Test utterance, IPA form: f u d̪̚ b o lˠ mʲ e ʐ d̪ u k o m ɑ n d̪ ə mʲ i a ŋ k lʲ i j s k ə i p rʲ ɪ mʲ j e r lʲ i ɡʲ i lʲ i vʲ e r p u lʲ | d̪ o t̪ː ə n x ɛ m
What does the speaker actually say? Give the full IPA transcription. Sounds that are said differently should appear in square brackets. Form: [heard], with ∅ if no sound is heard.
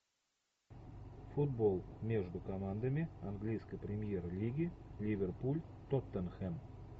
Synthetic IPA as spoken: f u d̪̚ b o lˠ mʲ e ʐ d̪ u k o m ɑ n d̪ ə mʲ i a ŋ [ɡ] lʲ i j s k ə [j] p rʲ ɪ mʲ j e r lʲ i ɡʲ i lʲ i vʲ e r p u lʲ | [t̪] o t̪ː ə n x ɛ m